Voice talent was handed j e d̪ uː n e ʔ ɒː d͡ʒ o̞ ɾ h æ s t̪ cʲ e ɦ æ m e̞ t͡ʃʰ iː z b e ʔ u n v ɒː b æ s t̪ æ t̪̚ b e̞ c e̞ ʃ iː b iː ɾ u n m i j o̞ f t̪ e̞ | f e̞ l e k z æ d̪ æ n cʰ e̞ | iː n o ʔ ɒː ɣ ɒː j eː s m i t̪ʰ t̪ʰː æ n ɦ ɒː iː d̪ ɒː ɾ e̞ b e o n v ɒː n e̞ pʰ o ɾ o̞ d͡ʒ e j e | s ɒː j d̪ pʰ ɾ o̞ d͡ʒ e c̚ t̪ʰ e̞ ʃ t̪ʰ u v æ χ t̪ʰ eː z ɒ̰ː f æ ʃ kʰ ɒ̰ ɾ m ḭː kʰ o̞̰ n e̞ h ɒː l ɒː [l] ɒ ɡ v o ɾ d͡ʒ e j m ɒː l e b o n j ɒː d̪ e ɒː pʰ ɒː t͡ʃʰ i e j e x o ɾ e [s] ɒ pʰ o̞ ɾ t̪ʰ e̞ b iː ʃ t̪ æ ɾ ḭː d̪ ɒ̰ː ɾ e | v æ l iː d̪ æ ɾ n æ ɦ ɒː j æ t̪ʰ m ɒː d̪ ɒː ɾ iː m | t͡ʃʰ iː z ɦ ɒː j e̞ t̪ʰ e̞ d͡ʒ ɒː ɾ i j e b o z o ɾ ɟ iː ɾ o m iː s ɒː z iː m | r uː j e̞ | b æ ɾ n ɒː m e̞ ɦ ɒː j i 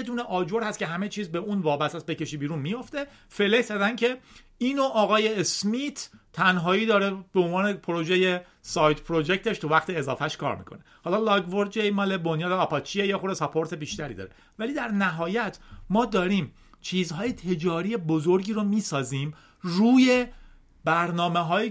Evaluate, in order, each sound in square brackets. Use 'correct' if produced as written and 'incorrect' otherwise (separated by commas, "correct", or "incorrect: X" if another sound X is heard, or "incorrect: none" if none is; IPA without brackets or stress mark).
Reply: correct, correct